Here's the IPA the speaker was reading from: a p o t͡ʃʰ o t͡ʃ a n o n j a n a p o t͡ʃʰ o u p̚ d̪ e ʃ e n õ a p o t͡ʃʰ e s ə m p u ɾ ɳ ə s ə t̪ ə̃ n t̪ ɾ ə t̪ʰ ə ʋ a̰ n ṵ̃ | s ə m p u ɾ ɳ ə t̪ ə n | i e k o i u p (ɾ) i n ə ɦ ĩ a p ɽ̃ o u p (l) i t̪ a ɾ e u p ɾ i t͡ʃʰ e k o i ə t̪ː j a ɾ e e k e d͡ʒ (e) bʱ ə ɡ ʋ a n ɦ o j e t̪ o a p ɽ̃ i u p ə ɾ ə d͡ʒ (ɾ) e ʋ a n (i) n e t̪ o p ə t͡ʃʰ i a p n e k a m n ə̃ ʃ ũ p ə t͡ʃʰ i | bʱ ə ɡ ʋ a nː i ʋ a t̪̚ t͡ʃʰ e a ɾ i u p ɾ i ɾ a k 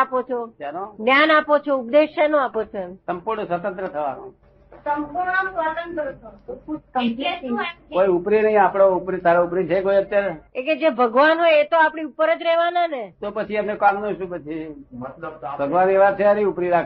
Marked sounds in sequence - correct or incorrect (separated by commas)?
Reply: correct, incorrect, correct, correct, incorrect